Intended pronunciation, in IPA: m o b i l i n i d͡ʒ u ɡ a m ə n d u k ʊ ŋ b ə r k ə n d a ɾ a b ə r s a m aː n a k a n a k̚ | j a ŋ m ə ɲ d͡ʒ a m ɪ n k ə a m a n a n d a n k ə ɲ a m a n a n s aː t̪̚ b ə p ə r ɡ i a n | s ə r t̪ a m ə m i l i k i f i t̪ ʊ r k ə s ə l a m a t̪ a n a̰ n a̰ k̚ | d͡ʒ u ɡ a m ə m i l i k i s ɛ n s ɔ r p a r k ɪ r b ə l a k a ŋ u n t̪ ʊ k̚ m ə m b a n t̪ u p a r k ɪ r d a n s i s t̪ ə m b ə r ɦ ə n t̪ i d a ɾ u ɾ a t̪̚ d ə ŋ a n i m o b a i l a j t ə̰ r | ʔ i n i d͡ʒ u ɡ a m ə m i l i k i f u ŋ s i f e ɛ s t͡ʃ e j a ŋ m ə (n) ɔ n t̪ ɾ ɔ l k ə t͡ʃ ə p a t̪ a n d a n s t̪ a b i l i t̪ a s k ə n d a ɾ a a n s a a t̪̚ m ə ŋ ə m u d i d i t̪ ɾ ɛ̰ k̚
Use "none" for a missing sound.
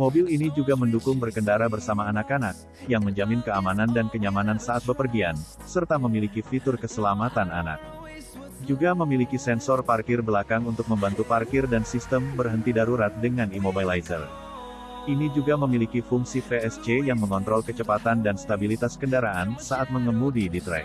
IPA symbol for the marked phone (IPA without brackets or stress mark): ŋ